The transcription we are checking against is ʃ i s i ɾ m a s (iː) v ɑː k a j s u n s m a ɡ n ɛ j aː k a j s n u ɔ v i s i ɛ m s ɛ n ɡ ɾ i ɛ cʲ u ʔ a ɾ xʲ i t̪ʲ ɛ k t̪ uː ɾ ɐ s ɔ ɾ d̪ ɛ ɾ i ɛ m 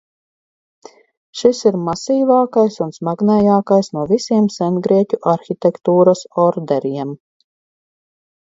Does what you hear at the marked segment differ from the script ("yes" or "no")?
no